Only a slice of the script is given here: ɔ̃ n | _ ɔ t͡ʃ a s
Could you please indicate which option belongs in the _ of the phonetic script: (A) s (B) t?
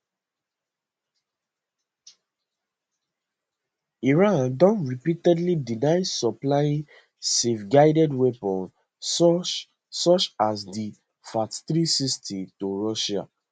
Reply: A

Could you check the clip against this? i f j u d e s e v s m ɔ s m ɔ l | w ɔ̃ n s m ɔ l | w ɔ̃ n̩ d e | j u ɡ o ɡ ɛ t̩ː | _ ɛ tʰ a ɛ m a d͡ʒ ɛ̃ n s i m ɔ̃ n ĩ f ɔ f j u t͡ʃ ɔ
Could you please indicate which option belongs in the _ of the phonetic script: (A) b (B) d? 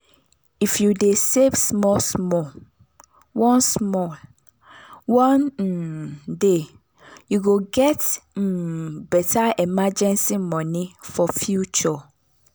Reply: A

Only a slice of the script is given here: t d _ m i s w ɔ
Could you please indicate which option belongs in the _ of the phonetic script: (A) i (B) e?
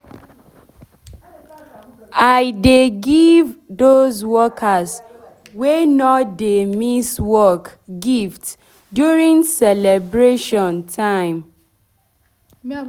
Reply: B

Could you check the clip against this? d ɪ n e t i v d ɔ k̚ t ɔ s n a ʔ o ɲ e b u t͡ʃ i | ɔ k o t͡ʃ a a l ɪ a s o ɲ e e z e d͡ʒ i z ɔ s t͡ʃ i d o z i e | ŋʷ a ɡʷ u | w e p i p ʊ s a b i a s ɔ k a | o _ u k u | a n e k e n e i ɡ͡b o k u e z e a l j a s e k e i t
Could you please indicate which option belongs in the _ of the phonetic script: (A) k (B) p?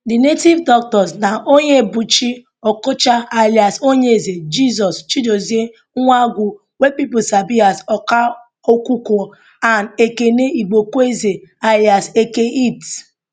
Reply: A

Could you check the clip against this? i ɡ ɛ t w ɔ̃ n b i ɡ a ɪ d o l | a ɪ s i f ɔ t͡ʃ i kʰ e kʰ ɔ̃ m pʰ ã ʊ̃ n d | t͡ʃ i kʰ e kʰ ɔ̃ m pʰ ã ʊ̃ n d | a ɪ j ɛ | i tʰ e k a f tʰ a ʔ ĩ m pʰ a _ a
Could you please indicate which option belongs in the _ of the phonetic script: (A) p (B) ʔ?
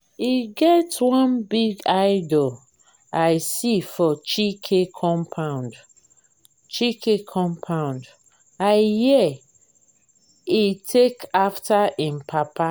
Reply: A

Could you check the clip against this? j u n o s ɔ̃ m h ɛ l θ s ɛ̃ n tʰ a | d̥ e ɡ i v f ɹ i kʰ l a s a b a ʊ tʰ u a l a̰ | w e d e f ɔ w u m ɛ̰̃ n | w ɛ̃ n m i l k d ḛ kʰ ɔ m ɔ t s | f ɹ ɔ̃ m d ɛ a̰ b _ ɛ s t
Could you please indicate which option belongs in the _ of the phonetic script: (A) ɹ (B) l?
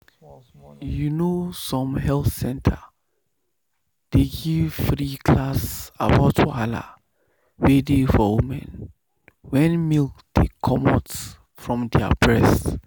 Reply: A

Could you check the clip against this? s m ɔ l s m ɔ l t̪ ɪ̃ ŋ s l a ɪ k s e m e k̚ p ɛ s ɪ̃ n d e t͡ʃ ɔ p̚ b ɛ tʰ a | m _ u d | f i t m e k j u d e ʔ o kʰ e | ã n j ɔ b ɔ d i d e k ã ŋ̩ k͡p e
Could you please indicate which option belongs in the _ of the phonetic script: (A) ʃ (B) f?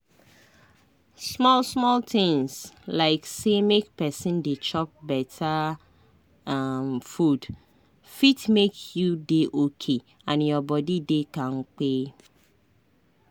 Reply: B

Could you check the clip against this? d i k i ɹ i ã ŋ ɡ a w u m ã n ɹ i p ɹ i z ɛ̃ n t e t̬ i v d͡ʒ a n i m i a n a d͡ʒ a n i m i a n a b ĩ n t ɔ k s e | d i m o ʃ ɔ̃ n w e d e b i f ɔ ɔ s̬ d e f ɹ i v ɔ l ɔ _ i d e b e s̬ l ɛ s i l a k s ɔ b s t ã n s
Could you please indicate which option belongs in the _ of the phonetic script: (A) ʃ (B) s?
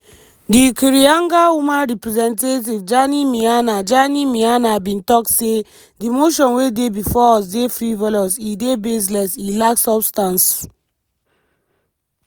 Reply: B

